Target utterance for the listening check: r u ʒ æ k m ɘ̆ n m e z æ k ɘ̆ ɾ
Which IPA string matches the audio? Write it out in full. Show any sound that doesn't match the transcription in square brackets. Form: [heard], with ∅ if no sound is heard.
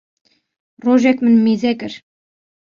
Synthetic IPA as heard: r [o] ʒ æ k m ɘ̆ n m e z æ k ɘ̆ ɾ